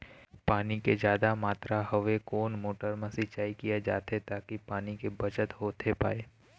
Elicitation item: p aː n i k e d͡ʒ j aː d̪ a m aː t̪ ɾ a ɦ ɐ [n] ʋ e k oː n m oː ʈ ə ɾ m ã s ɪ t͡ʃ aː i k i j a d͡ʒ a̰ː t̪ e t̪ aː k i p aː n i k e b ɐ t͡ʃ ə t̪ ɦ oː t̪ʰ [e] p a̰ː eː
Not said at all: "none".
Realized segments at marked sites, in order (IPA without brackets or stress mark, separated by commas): none, e